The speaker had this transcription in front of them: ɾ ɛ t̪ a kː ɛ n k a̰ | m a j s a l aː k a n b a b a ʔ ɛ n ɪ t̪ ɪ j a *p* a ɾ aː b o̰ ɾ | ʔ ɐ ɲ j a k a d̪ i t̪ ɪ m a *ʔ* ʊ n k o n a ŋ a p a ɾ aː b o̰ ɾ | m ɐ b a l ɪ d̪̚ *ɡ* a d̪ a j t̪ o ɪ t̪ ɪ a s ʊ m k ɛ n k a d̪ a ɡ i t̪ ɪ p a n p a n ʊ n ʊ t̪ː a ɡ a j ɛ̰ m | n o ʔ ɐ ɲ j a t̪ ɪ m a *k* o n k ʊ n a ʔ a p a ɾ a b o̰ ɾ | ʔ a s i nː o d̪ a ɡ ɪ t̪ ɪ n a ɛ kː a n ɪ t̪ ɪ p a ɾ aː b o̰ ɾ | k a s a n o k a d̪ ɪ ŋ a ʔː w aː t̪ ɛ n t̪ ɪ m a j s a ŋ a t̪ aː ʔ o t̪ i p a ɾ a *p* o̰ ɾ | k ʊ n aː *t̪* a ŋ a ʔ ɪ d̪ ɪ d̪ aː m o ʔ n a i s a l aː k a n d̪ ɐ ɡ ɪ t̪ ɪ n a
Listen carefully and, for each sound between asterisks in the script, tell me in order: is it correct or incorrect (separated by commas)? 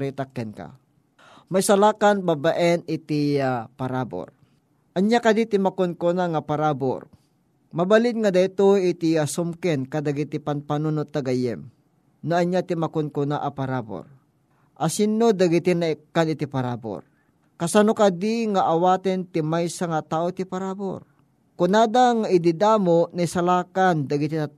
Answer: correct, incorrect, incorrect, correct, incorrect, incorrect